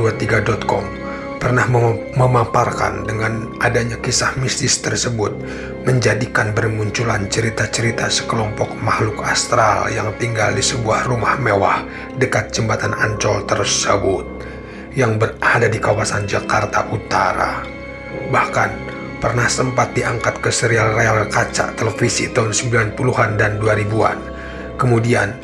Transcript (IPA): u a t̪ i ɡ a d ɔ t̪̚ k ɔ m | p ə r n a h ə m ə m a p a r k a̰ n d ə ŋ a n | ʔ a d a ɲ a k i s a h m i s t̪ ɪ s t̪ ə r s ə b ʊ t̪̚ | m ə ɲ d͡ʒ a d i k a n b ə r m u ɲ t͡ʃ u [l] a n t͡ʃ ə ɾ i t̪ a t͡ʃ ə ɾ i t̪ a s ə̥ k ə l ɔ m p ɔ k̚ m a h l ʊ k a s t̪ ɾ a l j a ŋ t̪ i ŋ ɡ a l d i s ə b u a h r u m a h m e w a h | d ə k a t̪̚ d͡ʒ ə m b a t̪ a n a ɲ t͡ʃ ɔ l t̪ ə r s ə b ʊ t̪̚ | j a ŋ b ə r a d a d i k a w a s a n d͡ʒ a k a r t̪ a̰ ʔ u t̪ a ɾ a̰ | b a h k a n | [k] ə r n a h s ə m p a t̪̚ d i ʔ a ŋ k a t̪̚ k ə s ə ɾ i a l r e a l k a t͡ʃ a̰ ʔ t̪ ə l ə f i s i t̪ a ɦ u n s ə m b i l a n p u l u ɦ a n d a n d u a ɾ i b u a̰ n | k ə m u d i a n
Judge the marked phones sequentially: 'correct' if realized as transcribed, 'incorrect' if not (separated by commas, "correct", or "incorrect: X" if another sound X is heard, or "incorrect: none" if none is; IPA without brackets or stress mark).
correct, incorrect: p